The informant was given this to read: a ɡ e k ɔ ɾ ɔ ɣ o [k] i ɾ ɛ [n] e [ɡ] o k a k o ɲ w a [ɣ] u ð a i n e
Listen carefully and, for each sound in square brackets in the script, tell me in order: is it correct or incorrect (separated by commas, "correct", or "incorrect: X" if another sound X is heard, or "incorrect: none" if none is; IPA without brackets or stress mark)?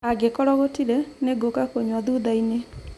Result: incorrect: t, correct, correct, incorrect: ð